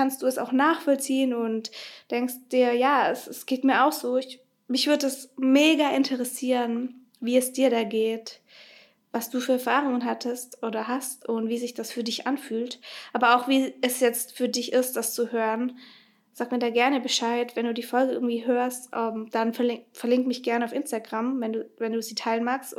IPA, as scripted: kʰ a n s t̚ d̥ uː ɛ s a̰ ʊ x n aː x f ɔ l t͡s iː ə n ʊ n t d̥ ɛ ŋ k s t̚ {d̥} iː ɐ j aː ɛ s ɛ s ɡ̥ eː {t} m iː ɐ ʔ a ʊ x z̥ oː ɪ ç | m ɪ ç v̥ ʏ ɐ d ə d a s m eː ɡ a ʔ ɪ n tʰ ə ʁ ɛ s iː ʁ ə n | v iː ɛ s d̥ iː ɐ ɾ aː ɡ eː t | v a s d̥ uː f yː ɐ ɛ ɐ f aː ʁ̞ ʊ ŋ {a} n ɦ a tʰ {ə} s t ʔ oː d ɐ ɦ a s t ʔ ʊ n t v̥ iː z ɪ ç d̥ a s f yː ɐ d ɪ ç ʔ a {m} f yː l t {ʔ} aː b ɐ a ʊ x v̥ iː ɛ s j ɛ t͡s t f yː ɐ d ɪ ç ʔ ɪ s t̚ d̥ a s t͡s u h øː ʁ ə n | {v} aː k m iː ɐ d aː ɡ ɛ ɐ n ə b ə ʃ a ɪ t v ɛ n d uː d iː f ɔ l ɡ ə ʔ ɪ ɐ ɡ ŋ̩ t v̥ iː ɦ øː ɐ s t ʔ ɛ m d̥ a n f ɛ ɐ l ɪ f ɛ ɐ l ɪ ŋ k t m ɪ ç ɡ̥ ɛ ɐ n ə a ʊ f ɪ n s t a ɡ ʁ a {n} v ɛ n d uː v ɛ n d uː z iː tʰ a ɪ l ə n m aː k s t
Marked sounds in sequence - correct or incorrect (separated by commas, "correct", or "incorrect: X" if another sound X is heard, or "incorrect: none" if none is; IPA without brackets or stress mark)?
correct, correct, incorrect: ə, correct, incorrect: n, correct, incorrect: z, incorrect: m